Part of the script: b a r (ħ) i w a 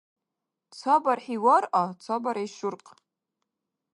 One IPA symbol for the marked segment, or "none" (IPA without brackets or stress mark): ħ